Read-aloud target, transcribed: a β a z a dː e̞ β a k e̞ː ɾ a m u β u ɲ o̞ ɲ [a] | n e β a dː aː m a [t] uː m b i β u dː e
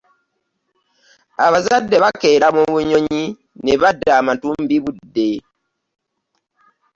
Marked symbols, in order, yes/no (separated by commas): no, yes